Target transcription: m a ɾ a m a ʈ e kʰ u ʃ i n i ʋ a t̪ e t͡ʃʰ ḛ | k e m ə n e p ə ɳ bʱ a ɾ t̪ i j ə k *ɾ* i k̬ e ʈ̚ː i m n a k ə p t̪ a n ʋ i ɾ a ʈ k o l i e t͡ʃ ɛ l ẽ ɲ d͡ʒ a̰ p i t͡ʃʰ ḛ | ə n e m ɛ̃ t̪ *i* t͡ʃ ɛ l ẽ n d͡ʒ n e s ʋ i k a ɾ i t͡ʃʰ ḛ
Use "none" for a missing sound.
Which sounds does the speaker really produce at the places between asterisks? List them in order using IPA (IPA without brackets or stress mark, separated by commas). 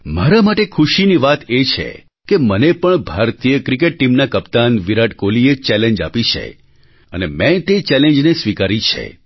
ɾ, e